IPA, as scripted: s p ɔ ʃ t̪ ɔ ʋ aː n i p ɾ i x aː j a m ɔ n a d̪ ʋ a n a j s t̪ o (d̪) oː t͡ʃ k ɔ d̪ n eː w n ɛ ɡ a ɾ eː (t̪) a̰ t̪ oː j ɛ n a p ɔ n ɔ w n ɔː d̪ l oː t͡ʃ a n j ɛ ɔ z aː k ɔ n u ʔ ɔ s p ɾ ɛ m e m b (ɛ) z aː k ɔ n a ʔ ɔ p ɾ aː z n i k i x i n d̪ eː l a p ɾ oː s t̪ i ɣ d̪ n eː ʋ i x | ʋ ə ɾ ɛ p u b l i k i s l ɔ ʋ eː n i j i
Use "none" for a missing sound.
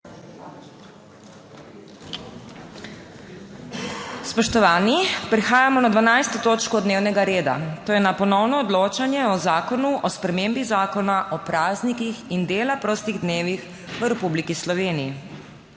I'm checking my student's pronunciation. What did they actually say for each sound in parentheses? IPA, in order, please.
t̪, d̪, i

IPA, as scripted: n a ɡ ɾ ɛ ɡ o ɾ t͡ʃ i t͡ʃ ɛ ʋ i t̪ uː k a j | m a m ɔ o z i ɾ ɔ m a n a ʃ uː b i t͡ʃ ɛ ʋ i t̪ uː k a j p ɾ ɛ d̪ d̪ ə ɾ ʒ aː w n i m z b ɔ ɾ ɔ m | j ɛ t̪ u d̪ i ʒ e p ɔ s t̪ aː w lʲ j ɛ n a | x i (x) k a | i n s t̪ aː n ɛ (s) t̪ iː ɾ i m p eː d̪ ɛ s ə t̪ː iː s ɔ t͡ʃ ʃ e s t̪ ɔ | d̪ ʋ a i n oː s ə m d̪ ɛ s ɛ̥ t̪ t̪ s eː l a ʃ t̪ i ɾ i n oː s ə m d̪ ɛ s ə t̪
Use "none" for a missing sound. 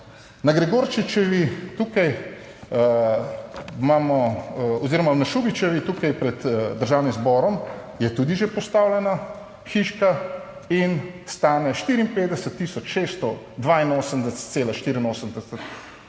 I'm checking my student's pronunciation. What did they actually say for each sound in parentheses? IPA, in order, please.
ʃ, ʃ

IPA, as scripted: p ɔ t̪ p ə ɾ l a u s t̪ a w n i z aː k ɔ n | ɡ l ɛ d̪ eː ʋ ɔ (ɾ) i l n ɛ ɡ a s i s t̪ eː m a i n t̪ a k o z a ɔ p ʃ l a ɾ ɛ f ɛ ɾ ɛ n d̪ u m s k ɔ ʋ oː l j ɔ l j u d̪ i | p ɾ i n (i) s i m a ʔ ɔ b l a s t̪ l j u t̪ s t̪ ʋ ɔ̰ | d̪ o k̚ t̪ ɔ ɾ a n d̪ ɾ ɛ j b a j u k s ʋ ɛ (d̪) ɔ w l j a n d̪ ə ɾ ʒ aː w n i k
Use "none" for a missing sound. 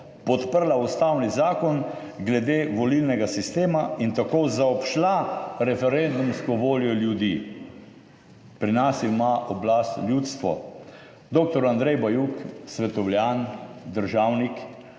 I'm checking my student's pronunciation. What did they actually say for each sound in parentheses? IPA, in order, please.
l, a, t̪

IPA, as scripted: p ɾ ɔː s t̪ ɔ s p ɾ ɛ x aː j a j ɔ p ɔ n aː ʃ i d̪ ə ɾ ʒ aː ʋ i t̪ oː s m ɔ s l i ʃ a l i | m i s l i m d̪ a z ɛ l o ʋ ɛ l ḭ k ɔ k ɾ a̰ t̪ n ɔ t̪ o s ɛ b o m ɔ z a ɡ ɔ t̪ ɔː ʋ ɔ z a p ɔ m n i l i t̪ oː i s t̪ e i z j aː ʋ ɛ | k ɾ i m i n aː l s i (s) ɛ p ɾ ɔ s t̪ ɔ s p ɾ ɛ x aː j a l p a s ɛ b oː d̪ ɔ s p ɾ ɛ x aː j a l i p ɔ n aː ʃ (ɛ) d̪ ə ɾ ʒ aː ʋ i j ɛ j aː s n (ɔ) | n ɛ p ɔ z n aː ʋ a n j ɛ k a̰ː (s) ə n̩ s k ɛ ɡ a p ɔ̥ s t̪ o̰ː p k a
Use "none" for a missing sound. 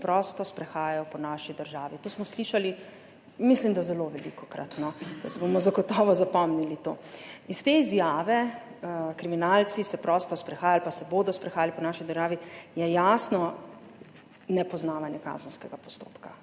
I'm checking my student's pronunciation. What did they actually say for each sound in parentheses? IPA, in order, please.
s, i, ɔ, z

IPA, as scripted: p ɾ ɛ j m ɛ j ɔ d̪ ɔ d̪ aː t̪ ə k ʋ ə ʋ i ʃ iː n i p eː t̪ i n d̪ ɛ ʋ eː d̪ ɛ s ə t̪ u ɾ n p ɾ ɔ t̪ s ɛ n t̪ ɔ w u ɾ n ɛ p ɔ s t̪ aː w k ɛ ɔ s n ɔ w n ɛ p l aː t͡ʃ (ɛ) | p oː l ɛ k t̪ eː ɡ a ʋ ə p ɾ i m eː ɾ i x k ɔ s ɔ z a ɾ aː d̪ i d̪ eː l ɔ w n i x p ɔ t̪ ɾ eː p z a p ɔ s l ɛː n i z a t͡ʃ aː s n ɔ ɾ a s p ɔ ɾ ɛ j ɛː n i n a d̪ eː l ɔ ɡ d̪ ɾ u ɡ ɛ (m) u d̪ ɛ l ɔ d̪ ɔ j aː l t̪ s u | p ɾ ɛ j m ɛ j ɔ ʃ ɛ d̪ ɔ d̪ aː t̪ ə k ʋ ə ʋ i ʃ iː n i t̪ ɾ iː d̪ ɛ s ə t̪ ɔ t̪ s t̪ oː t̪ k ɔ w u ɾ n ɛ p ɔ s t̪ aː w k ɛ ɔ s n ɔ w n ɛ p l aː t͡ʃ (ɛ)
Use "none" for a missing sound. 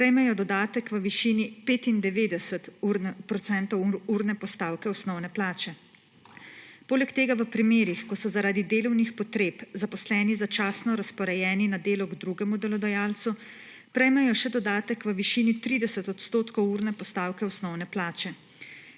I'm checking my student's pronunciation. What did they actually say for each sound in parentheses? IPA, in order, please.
ɛ, m, ɛ

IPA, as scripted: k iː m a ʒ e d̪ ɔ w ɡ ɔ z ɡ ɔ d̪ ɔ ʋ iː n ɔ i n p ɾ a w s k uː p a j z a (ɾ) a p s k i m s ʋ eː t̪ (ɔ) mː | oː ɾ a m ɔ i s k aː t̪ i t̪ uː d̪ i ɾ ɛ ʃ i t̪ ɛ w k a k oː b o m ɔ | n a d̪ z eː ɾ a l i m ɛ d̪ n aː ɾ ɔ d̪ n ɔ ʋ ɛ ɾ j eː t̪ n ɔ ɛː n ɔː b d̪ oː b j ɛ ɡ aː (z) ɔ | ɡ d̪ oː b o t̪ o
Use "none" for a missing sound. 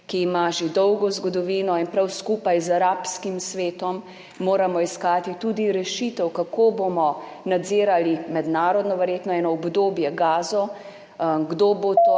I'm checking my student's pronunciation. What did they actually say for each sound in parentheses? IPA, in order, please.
ɾ, ɔ, z

